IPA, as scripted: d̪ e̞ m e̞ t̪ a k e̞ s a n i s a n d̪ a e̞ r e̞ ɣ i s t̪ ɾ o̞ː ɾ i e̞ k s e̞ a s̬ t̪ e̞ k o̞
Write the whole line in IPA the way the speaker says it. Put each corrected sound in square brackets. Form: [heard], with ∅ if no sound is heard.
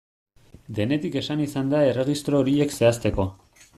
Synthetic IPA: d̪ e̞ [n] e̞ t̪ [i] k e̞ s a n i s a n d̪ a e̞ r e̞ ɣ i s t̪ ɾ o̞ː ɾ i e̞ k s e̞ a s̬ t̪ e̞ k o̞